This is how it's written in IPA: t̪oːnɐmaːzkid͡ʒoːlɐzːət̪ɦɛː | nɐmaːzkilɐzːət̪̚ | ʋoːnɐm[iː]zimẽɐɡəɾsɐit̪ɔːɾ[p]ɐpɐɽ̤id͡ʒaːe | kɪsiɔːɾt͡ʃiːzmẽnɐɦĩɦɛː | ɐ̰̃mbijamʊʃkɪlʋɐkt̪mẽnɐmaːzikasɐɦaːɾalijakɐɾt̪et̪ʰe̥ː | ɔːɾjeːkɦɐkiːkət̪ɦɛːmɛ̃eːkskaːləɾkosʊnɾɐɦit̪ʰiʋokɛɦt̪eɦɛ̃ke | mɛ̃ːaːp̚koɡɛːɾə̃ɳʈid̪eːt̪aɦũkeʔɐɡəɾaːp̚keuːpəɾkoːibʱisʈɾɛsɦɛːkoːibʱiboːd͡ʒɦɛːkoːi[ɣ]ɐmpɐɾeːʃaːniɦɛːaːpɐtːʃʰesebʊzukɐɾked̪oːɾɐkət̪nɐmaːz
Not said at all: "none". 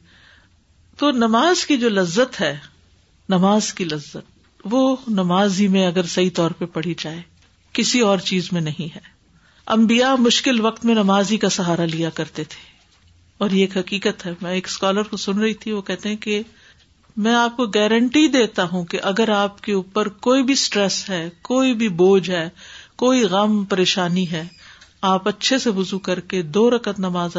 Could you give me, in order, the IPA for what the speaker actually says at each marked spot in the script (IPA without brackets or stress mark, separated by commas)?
aː, p, ɣ